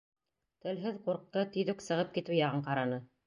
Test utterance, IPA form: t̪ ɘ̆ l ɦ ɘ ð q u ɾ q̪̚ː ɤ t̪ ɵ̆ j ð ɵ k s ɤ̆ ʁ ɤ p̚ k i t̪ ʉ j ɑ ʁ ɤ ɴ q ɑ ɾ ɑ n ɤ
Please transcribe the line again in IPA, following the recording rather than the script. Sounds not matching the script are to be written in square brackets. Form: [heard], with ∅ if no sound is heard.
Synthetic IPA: t̪ ɘ̆ l ɦ ɘ ð q u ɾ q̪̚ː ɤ t̪ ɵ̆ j ð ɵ k s ɤ̆ ʁ ɤ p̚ k i t̪ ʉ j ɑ ʁ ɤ ɴ q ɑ ɾ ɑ n ɤ